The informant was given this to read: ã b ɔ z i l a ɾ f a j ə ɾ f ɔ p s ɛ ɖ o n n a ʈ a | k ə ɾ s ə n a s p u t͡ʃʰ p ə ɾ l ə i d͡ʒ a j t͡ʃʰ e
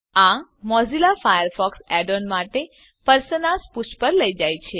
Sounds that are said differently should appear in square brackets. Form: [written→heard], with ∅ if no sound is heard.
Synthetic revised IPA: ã [b→m] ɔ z i l a [ɾ→∅] f a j ə ɾ f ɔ [p→k] s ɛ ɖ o n [n→m] a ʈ [a→e] | [k→p] ə ɾ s ə n a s p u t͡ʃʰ p ə ɾ l ə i d͡ʒ a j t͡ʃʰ e